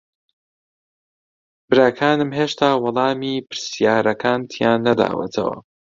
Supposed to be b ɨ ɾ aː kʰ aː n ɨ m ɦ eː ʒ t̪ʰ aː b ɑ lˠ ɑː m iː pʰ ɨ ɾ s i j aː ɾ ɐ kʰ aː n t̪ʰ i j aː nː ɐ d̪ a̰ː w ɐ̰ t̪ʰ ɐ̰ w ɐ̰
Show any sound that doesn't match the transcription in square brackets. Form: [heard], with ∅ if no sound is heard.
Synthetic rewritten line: b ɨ ɾ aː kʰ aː n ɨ m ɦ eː [ʃ] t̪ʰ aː [w] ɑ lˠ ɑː m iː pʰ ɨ ɾ s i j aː ɾ ɐ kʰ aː n t̪ʰ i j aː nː ɐ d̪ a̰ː w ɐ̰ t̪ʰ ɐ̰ w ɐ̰